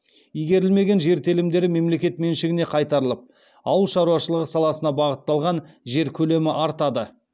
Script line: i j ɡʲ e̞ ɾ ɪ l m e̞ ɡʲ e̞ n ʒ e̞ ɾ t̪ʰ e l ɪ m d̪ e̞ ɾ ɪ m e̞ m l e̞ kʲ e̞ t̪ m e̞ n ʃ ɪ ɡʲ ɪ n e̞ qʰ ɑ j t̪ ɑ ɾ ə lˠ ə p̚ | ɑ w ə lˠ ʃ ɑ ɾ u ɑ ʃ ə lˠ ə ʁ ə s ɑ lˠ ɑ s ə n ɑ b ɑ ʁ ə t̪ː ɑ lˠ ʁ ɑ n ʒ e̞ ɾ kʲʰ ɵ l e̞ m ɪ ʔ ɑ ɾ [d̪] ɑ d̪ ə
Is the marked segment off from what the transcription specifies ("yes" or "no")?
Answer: yes